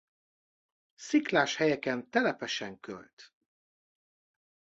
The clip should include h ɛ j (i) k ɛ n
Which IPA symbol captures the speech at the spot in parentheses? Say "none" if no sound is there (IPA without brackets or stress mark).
ɛ